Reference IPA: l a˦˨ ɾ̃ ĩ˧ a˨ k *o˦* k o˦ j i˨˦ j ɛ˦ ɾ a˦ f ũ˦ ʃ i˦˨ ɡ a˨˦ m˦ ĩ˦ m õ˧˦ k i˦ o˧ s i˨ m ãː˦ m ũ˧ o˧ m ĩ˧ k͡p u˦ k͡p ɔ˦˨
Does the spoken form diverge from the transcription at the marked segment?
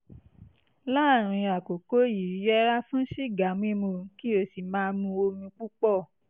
yes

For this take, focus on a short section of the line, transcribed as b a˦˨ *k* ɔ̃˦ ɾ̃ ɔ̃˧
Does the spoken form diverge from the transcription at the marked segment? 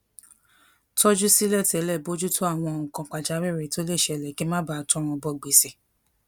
yes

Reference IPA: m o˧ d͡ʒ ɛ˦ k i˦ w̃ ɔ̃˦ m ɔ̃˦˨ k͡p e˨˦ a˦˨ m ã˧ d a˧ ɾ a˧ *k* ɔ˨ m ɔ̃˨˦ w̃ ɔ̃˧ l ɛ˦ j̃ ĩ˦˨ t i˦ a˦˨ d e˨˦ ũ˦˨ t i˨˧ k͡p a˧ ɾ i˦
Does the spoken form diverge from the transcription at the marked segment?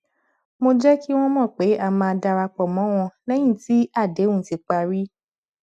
yes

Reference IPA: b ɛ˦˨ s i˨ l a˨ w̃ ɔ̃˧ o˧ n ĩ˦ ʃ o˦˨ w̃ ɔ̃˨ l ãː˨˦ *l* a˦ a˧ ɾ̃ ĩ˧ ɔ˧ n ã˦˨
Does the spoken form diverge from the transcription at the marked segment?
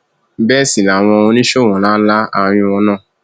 no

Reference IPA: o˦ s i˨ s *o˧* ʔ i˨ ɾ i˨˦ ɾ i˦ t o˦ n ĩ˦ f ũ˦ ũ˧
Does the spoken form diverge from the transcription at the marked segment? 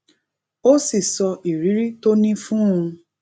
yes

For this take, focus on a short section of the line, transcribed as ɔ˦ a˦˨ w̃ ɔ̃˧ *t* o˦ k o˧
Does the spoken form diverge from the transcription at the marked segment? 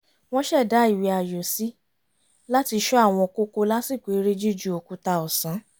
yes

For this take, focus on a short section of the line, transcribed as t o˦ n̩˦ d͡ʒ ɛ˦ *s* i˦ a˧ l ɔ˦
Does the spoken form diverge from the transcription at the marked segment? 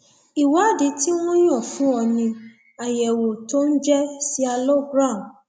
no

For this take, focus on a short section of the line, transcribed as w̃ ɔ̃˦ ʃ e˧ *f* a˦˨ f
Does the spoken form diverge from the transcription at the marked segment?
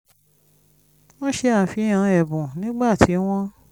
yes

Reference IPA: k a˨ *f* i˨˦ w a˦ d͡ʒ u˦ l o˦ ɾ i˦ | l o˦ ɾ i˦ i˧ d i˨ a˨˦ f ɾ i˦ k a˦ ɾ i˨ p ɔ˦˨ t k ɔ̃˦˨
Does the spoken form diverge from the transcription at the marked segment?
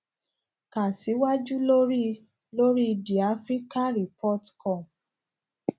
yes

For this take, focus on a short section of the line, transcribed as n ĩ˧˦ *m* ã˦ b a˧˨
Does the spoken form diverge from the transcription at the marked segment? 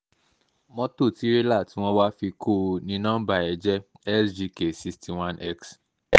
yes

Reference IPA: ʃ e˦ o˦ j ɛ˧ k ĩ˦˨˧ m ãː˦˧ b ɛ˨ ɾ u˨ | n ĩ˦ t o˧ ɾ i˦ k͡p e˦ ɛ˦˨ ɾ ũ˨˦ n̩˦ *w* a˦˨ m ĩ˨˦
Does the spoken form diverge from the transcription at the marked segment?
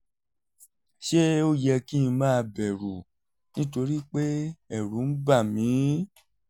yes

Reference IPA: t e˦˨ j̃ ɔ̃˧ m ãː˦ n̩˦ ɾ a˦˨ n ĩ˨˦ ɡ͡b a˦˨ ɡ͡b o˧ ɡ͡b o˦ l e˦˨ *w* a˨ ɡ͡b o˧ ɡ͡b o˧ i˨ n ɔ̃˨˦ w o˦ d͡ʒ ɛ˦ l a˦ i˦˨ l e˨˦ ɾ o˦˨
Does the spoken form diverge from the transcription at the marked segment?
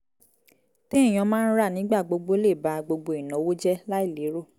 yes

